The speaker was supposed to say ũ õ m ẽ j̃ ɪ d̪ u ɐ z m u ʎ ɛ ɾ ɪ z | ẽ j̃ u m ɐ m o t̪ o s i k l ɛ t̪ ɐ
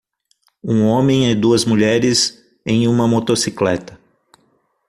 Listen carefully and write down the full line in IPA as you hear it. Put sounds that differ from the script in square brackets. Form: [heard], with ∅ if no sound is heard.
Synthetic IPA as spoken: ũ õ m ẽ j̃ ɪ d̪ u ɐ z m u ʎ ɛ ɾ ɪ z | ẽ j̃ [ũ] m ɐ m o t̪ o s i k l ɛ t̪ ɐ